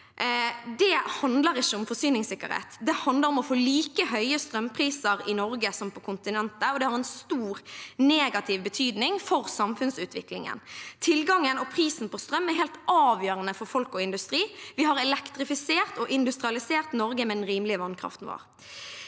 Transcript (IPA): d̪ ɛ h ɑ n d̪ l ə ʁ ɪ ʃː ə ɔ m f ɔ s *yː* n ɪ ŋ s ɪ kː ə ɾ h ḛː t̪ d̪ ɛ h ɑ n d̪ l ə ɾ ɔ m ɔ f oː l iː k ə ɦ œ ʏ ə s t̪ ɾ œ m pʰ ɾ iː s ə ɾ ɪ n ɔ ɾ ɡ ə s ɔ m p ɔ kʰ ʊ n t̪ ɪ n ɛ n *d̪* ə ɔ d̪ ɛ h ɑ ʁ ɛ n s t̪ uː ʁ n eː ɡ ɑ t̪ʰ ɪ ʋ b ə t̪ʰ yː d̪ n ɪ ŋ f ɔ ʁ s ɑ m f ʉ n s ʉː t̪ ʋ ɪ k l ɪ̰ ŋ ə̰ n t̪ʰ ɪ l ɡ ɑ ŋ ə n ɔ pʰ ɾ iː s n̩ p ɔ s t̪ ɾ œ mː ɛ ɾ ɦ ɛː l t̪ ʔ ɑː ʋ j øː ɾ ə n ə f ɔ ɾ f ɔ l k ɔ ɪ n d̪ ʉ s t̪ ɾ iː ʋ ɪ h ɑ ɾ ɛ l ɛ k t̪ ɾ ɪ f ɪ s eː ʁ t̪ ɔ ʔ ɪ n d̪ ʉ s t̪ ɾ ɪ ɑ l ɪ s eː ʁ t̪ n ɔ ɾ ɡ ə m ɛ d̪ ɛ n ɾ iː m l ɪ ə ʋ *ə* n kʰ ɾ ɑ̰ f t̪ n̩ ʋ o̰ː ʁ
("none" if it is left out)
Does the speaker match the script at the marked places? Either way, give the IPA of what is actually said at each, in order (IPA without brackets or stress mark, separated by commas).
yː, t̪, ɑ